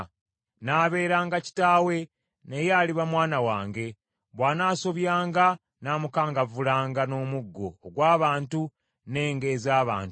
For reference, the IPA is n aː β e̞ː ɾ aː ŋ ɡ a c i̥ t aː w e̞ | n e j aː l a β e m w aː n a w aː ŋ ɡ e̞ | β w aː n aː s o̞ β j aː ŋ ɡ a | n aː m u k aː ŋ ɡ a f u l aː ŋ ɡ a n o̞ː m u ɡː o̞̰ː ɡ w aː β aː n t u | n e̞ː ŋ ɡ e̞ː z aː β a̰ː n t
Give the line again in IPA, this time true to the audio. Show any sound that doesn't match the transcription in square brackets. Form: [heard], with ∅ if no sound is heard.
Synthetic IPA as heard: n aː β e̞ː ɾ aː ŋ ɡ a c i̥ t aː w e̞ | n e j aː l [i] β [a] m w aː n a w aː ŋ ɡ e̞ | β w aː n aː s o̞ β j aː ŋ ɡ a | n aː m u k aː ŋ ɡ a [v] u l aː ŋ ɡ a n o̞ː m u ɡː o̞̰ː ɡ w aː β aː n t u | n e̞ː ŋ ɡ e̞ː z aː β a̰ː n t